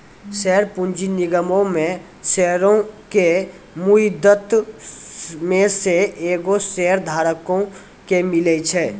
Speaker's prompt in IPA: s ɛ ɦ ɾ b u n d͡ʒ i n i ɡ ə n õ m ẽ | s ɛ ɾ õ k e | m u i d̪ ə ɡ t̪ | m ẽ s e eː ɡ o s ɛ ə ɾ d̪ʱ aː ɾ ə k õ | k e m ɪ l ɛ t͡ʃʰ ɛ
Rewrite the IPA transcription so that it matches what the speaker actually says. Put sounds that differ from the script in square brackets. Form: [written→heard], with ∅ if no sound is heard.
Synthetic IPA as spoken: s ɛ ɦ ɾ [b→p] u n d͡ʒ i n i ɡ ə [n→m] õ m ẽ | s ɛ ɾ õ k e | m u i d̪ ə [ɡ→∅] t̪ | m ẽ s e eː ɡ o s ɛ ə ɾ d̪ʱ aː ɾ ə k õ | k e m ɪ l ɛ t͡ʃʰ ɛ